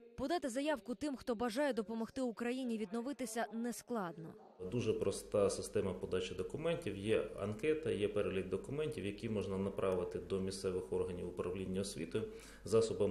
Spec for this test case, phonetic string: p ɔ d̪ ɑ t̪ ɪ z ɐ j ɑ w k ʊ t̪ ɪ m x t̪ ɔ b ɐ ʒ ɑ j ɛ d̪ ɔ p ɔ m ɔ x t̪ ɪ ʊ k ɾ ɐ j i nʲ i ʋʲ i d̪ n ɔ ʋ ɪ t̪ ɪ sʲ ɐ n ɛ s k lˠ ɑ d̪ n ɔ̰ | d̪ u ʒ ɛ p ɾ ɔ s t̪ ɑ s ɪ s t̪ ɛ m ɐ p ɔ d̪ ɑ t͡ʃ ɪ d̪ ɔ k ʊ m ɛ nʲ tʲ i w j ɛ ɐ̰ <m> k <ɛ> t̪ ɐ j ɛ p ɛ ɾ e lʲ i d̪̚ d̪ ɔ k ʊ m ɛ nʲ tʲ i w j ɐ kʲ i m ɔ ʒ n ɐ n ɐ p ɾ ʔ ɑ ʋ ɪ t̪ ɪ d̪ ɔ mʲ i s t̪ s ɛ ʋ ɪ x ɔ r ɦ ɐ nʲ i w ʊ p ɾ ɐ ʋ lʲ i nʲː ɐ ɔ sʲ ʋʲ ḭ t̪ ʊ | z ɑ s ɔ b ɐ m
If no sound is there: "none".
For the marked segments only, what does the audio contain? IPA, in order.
n, ɛ

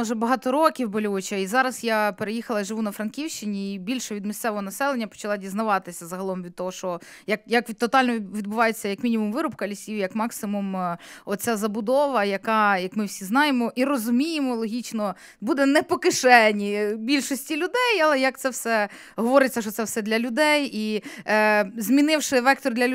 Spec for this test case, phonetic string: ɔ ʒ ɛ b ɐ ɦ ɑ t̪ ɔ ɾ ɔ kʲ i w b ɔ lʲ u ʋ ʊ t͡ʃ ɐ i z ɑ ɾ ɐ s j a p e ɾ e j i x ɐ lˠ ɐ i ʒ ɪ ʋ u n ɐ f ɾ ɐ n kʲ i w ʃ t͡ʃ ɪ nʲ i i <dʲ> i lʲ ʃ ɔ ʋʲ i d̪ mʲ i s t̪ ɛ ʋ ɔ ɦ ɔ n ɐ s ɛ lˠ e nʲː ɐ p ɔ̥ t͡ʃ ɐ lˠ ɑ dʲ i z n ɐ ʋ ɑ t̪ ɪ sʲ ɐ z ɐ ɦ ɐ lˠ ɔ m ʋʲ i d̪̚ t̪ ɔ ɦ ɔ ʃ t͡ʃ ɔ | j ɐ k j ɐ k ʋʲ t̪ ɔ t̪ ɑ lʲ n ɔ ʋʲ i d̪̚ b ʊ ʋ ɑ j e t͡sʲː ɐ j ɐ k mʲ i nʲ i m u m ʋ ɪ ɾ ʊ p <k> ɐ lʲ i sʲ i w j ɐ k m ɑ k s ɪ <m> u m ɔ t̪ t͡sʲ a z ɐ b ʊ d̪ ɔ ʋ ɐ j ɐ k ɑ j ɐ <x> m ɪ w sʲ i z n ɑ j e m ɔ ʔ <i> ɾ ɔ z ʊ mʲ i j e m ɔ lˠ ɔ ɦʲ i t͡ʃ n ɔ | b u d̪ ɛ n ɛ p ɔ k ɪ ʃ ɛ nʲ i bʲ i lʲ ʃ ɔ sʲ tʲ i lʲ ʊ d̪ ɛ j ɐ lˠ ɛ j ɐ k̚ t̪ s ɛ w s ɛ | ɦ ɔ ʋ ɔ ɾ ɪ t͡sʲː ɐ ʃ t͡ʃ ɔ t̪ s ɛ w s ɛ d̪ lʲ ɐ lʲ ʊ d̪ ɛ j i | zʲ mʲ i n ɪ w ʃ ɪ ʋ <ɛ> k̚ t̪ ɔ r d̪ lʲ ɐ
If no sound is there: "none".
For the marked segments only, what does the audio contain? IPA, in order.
bʲ, k, m, k, i, ɛ

